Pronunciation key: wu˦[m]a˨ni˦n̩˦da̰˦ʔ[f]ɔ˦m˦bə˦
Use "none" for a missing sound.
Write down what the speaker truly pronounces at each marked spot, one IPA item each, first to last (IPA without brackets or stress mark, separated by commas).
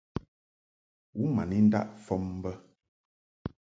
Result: m, f